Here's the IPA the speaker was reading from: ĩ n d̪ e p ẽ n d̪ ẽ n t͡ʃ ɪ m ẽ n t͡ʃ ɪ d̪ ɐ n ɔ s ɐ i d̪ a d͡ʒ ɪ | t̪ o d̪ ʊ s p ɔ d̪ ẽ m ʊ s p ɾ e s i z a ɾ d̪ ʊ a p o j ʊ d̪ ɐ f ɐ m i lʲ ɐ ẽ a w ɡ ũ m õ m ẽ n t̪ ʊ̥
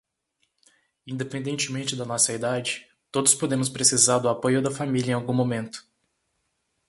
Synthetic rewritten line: ĩ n d̪ e p ẽ n d̪ ẽ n t͡ʃ ɪ m ẽ n t͡ʃ ɪ d̪ ɐ n ɔ s ɐ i d̪ a d͡ʒ ɪ | t̪ o d̪ ʊ s p o d̪ ẽ m ʊ s p ɾ e s i z a ɾ d̪ ʊ a p o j ʊ d̪ ɐ f a m i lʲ ɐ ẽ a w ɡ ũ m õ m ẽ n t̪ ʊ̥